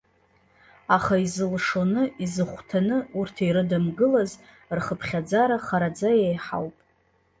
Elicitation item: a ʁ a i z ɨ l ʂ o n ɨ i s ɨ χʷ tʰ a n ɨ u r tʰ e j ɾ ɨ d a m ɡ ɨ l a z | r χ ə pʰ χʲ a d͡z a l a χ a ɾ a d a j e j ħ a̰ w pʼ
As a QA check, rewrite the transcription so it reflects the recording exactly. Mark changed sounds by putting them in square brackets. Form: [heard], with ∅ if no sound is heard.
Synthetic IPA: a [χ] a i z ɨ l ʂ o n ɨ i [z] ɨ χʷ tʰ a n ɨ u r tʰ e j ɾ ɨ d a m ɡ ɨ l a z | r χ ə pʰ χʲ a d͡z a [ɾ] a χ a ɾ a [d͡z] a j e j ħ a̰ w pʼ